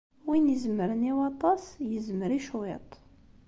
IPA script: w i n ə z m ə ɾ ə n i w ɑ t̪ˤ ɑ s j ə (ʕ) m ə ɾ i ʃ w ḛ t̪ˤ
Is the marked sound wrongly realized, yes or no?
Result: yes